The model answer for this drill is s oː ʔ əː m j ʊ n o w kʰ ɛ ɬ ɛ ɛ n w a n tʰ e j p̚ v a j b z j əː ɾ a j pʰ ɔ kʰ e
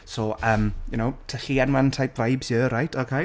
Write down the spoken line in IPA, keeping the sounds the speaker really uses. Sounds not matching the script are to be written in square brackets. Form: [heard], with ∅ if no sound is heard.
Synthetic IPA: s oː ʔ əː m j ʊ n o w [tʰ] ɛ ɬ [i] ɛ n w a n tʰ [a] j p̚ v a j b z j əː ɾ a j [tʰ] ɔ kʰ e